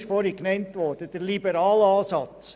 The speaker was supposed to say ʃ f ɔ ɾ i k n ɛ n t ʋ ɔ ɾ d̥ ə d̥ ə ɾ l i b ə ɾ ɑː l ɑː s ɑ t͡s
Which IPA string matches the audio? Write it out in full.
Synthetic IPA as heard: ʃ f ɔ ɾ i k n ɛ n t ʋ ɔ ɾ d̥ ə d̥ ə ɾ l i b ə ɾ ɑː l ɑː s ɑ t͡s